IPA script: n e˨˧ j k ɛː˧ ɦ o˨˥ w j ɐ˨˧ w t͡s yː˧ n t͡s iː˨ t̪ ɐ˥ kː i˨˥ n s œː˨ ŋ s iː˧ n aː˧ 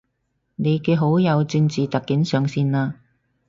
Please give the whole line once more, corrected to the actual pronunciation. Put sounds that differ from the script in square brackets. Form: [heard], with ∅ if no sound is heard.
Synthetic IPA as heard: n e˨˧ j k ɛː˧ ɦ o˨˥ w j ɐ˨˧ w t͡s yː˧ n t͡s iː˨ t̪ [ɐ˨] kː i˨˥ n s œː˨ ŋ s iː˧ n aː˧